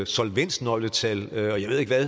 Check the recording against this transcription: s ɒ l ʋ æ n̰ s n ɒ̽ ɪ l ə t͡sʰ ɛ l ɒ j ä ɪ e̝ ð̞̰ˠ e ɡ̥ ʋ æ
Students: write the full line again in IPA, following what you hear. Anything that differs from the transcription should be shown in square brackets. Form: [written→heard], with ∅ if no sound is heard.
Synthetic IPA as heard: s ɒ l ʋ [æ→e] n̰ s n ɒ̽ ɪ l ə t͡sʰ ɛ l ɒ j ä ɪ e̝ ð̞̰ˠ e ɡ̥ ʋ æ